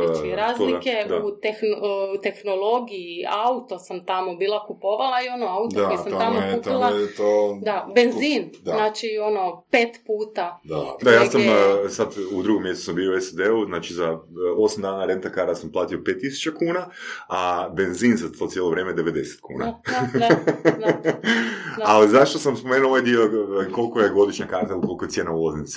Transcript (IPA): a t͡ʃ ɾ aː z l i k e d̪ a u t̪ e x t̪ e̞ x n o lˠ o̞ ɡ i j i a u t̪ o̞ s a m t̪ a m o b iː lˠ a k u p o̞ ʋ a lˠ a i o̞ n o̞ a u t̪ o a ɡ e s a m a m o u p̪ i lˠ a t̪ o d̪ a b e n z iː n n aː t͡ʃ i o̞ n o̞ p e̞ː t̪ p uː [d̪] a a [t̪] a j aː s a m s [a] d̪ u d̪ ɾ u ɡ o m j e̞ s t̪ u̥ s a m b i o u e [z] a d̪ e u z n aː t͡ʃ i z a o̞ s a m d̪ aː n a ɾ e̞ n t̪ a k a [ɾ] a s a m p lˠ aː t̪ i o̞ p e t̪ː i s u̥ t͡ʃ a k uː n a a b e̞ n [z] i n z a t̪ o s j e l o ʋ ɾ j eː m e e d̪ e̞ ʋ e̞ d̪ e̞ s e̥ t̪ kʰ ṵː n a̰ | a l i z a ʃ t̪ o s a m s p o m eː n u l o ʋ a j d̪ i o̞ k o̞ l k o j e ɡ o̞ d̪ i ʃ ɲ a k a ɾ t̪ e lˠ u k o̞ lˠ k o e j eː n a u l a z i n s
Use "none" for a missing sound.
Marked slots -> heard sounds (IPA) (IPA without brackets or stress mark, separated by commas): t̪, d̪, a, s, ɾ, z